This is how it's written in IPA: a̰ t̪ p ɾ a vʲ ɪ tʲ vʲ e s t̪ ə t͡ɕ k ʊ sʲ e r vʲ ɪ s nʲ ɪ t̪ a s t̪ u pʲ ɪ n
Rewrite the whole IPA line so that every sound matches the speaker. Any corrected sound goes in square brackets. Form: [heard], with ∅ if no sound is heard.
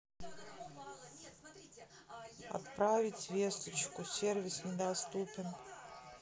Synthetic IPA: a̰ t̪ p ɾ a vʲ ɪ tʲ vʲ e s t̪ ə t͡ɕ k ʊ sʲ e r vʲ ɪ s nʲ ɪ [d̪] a s t̪ u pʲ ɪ n